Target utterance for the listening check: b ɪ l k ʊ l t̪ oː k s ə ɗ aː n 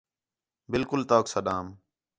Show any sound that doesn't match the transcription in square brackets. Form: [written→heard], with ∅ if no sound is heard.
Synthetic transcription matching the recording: b ɪ l k ʊ l t̪ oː k s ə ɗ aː [n→m]